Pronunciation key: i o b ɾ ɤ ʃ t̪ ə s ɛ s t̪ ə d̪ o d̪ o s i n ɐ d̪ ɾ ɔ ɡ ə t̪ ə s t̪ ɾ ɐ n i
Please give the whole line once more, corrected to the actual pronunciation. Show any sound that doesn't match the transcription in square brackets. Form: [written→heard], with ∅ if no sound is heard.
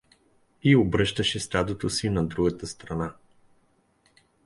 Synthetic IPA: i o b ɾ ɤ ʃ t̪ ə [s→ʃ] ɛ s t̪ [ə→a] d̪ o [d̪→t̪] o s i n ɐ d̪ ɾ [ɔ→u] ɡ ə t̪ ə s t̪ ɾ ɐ n [i→a]